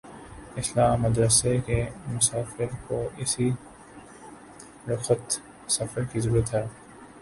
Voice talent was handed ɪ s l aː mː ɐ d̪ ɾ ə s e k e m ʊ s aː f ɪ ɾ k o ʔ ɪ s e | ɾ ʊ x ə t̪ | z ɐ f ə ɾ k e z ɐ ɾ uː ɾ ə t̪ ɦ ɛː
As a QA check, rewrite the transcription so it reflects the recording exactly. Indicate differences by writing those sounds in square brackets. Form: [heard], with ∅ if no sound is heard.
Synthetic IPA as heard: ɪ s l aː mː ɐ d̪ ɾ ə s e k e m ʊ s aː f ɪ ɾ k o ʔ ɪ s [i] | ɾ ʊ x ə t̪ | [s] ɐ f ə ɾ k [i] z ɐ ɾ uː ɾ ə t̪ ɦ ɛː